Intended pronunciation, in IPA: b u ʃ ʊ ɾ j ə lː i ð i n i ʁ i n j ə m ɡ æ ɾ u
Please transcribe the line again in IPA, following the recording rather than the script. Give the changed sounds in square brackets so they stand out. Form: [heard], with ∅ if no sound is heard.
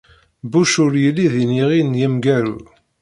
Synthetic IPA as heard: b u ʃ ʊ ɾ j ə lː i ð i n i ʁ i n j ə m ɡ æ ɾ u